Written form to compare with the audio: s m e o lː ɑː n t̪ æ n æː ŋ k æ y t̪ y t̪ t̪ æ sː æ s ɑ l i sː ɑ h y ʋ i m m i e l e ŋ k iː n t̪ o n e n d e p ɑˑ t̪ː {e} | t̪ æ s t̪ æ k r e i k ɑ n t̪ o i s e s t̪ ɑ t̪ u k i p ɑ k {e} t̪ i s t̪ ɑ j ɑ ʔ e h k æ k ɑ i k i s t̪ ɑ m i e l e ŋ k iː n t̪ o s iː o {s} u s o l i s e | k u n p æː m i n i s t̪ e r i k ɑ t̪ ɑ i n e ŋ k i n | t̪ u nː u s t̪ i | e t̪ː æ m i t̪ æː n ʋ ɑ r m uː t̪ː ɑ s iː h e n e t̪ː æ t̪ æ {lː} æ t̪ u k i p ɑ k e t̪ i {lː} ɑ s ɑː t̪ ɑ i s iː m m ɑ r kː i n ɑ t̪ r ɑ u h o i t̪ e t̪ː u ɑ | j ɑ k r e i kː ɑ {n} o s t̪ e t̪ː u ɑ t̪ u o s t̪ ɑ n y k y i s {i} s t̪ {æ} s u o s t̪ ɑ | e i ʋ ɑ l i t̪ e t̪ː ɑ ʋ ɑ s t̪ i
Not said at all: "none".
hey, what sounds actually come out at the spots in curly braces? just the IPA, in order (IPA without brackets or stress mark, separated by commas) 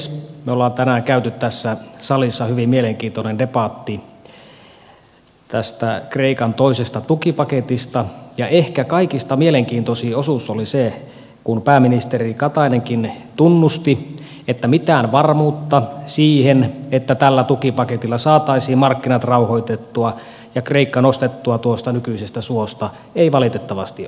i, e, s, lː, lː, n, e, æ